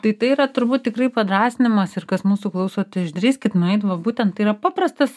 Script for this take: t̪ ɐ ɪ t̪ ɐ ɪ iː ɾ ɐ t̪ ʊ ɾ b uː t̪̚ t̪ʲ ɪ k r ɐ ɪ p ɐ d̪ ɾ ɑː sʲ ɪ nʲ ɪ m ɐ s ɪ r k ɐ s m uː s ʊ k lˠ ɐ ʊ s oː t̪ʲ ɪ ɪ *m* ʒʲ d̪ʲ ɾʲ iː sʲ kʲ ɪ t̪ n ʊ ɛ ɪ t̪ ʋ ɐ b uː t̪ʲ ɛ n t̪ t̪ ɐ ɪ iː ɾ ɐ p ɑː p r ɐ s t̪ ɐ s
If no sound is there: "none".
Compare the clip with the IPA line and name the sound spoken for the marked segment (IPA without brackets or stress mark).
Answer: none